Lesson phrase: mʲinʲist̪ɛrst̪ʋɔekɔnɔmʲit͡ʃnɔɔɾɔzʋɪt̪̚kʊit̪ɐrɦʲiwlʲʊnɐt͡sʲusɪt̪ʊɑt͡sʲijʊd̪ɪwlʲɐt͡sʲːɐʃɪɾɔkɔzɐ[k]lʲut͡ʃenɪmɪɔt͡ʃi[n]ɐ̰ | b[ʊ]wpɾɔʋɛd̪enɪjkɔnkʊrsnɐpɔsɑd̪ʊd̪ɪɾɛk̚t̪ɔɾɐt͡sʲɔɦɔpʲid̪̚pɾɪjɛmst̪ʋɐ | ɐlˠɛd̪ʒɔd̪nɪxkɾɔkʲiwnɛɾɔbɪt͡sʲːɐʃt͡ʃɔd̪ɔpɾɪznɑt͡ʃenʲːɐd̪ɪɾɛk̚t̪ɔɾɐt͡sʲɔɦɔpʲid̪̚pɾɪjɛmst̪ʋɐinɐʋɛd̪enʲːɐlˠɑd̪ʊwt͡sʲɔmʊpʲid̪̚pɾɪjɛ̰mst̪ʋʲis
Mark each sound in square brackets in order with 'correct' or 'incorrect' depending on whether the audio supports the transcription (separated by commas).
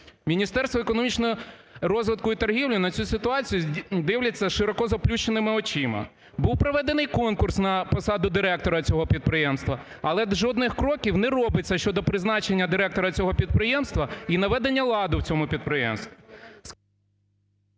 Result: incorrect, incorrect, incorrect